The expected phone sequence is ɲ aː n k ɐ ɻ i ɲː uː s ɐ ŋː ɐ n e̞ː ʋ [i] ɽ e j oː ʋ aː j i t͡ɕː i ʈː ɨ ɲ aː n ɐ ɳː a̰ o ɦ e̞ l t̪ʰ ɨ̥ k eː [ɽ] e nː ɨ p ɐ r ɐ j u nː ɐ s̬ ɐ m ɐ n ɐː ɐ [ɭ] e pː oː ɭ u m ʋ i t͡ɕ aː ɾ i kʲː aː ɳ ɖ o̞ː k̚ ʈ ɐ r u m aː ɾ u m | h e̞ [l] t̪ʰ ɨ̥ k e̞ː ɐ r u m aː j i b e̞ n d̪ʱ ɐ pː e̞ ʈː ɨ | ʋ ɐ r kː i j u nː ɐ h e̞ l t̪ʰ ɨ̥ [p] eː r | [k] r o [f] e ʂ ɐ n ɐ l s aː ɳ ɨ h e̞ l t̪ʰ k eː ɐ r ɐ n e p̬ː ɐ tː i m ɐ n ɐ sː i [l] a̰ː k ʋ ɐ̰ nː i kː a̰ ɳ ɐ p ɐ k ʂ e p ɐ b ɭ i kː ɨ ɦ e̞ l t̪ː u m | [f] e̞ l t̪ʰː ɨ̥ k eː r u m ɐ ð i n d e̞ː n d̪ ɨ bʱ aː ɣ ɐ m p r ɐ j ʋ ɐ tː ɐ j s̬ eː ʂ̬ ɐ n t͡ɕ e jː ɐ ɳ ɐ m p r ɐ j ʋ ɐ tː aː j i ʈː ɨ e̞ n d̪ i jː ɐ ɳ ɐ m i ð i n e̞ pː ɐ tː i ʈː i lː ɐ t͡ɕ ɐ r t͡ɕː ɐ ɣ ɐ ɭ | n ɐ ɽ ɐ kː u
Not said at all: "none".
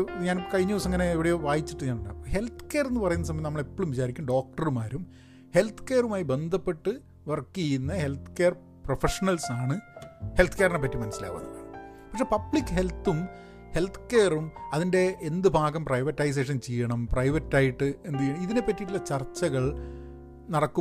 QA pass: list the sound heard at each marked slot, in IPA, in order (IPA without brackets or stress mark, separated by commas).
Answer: i, r, ɭ, l, k, p, f, l, h